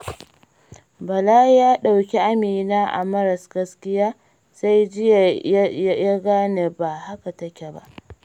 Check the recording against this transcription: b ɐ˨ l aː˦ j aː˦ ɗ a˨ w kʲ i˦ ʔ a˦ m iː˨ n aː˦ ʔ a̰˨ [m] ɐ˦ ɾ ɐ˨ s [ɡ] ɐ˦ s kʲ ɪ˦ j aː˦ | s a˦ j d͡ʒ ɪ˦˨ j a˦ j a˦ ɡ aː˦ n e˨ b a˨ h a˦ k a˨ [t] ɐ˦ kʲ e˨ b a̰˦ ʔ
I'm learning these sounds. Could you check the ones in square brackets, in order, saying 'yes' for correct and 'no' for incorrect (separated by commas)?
yes, yes, yes